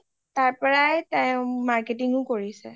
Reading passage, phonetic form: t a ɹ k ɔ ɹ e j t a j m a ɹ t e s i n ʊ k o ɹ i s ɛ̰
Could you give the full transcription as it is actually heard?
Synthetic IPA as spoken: t a ɹ p ɔ ɹ a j t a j m a ɹ k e t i ŋ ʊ k o ɹ i s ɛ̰